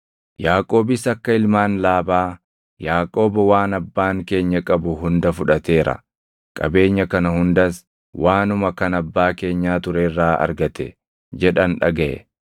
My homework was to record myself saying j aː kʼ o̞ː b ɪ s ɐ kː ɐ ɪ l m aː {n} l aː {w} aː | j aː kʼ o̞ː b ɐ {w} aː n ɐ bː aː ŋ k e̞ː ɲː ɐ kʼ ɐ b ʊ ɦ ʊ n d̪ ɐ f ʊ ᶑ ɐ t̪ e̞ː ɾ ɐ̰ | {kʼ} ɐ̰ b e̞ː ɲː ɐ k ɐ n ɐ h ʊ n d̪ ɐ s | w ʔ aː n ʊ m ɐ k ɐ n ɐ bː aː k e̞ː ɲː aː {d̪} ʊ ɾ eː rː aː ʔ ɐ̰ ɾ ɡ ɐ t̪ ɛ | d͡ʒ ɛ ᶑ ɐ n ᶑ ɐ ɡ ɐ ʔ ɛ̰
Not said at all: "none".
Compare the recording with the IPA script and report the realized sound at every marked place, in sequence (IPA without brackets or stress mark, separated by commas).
n, b, w, kʼ, t̪